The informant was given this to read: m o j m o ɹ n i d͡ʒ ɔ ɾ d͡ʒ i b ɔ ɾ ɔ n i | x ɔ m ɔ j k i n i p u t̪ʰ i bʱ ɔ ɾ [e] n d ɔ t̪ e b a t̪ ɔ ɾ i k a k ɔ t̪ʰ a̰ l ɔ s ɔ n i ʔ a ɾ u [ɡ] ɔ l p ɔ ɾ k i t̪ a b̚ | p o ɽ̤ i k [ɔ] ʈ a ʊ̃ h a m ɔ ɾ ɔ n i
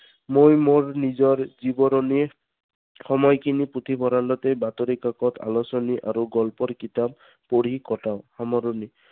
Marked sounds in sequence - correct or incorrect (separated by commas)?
incorrect, correct, correct